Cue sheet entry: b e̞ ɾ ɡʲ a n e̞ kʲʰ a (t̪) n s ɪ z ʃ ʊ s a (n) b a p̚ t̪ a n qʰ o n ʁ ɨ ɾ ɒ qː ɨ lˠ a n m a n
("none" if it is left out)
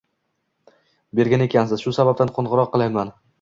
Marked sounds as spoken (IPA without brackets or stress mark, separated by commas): none, none